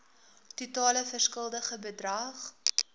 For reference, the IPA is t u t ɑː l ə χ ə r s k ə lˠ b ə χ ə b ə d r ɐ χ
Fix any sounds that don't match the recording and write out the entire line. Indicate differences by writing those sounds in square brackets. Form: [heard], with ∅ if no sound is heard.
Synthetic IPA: t u t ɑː l ə [f] ə r s k ə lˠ [d] ə χ ə b ə d r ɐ χ